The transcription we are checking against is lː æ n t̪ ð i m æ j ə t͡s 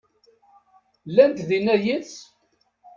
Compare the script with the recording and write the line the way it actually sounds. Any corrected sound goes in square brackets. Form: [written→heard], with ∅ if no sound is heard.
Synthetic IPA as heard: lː æ n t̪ ð i [m→n] æ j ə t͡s

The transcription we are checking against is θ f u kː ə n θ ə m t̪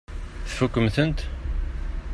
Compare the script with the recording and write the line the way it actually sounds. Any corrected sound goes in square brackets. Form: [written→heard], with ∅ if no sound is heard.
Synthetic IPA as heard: θ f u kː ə [n→m] θ ə [m→n] t̪

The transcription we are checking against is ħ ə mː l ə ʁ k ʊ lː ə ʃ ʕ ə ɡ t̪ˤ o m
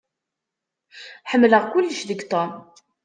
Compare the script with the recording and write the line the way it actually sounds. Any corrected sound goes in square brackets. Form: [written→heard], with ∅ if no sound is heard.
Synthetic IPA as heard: ħ ə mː l ə ʁ k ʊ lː ə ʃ [ʕ→ð] ə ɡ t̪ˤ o m

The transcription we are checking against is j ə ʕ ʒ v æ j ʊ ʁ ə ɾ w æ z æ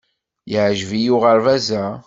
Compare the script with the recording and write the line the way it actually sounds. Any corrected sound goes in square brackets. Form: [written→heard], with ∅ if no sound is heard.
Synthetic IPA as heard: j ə ʕ ʒ v [æ→i] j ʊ ʁ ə ɾ [w→v] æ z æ

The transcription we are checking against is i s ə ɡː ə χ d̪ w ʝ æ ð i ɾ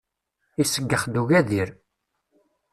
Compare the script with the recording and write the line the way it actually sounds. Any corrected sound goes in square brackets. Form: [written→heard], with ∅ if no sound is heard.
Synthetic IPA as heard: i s ə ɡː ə χ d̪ [w→u] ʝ æ ð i ɾ

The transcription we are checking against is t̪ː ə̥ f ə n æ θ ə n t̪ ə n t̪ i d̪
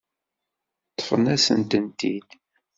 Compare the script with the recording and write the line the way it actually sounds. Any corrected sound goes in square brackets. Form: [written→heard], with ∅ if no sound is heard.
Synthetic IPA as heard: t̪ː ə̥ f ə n æ [θ→s] ə n t̪ ə n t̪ i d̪

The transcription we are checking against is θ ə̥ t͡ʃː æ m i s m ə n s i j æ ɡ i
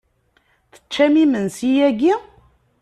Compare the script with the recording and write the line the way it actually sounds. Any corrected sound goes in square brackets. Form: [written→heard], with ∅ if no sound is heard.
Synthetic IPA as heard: θ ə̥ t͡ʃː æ m i [s→∅] m ə n s i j æ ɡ i

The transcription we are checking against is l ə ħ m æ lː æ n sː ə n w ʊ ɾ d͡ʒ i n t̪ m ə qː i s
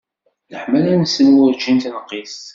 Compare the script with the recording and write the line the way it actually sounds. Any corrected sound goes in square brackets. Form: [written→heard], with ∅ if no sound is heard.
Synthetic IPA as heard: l ə ħ m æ [lː→l] æ n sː ə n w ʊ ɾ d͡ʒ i n t̪ [m→n] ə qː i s

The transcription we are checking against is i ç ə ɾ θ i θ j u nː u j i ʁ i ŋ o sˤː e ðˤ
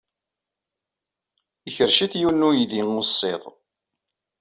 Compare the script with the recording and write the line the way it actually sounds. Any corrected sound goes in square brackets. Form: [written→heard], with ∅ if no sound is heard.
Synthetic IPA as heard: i ç ə ɾ [θ→ʃ] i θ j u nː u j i [ʁ→ð] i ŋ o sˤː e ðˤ

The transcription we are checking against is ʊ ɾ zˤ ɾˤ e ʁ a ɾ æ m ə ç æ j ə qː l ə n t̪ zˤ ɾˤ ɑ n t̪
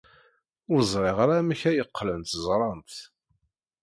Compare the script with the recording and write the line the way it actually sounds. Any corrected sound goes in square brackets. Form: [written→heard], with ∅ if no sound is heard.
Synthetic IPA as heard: ʊ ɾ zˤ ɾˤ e ʁ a ɾ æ m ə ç æ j ə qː l ə n t̪ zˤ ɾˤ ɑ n t̪

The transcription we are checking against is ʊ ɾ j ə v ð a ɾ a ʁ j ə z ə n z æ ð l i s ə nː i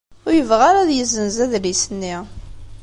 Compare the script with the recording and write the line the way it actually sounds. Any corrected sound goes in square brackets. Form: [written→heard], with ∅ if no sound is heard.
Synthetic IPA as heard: ʊ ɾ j ə v [ð→ʁ] a ɾ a [ʁ→ð] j ə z ə n z æ ð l i s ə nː i

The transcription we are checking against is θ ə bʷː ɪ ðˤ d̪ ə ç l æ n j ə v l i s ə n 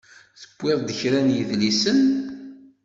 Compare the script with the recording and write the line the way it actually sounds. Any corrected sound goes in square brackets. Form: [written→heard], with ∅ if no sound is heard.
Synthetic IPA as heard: θ ə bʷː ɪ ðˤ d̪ ə ç [l→ɾ] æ n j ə [v→ð] l i s ə n

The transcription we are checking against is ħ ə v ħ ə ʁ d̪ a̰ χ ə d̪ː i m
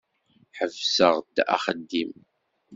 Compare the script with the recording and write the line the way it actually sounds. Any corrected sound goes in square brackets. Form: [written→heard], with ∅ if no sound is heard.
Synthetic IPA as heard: ħ ə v [ħ→s] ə ʁ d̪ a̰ χ ə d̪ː i m

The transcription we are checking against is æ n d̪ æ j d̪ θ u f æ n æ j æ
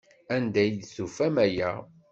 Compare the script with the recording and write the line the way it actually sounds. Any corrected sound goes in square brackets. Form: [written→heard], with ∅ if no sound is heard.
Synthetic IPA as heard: æ n d̪ æ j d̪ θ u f æ [n→m] æ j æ

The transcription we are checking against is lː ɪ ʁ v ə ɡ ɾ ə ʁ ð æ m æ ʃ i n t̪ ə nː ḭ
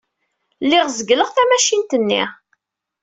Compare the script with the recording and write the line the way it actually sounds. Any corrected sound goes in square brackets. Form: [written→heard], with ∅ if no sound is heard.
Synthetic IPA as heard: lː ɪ ʁ [v→z] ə ɡ [ɾ→l] ə ʁ [ð→θ] æ m æ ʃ i n t̪ ə nː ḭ

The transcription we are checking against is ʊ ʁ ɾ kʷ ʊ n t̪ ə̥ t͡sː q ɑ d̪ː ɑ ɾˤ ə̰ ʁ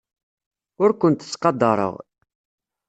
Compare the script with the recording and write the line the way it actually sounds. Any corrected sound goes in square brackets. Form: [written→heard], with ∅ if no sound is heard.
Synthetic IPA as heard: ʊ [ʁ→∅] ɾ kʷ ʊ n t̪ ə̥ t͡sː q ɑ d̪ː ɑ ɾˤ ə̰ ʁ

